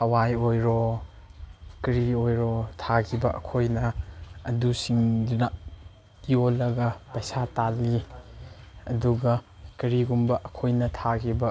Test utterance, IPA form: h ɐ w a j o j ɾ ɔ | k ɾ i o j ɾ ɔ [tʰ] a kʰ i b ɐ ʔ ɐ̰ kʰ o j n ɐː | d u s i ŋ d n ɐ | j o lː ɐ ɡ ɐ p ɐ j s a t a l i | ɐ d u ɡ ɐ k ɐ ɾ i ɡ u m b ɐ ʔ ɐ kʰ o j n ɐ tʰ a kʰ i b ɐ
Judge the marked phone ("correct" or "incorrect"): correct